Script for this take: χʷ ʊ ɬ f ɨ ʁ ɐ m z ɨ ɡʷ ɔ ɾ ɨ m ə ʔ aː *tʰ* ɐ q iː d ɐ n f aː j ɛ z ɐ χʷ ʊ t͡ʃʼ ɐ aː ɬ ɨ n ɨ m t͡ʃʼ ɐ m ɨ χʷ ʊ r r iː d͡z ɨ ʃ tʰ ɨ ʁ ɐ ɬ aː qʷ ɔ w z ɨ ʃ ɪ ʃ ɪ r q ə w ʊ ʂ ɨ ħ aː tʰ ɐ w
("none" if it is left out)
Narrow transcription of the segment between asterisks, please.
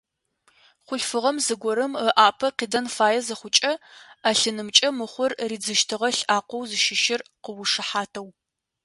pʰ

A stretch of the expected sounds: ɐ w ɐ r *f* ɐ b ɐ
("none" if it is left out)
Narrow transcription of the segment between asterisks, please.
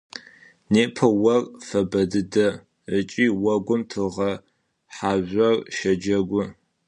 f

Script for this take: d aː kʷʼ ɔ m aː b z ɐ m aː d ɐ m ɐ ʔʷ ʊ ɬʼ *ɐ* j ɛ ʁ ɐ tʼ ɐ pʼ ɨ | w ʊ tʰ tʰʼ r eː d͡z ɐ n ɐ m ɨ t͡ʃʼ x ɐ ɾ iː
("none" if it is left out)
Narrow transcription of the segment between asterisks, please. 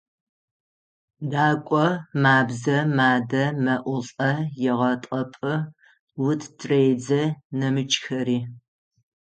ɐ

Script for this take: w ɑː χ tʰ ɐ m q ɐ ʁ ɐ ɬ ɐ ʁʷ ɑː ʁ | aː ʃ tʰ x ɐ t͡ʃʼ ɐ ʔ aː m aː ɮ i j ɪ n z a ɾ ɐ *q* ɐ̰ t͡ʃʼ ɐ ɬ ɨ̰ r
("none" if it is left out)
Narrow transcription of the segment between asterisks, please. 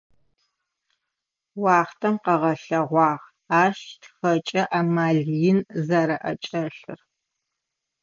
ʔ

